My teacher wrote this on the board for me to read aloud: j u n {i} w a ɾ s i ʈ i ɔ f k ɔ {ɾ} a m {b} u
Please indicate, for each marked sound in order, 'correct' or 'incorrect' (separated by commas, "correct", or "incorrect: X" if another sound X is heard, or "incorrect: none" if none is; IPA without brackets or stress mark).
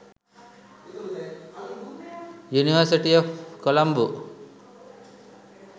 correct, incorrect: l, correct